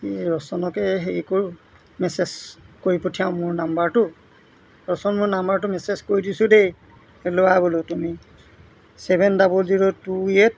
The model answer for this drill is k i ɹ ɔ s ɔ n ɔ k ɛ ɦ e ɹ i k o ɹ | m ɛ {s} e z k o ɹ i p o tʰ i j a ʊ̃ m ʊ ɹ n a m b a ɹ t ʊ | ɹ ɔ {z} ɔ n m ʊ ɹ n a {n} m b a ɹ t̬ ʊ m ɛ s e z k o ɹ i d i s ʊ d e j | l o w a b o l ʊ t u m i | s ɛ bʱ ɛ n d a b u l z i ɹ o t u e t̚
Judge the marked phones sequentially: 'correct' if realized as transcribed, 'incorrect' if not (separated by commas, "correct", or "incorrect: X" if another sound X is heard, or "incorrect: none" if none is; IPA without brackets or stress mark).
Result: correct, incorrect: s, incorrect: none